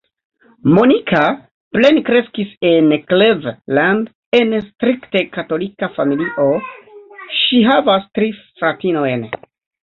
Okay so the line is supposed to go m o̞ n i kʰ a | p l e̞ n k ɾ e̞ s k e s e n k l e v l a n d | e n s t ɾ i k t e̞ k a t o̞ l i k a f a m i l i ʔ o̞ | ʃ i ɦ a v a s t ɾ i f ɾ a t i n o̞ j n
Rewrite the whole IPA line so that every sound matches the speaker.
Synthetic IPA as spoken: m o̞ n i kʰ a | p l e̞ n k ɾ e̞ s k i s e n k l e v l a n d | e n s t ɾ i k t e̞ k a t o̞ l i k a f a m i l i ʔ o̞ | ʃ i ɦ a v a s t ɾ i f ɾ a t i n o̞ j n